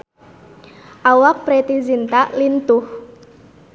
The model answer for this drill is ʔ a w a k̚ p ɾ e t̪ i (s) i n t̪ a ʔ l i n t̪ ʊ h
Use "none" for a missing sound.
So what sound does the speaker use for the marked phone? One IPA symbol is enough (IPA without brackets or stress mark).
z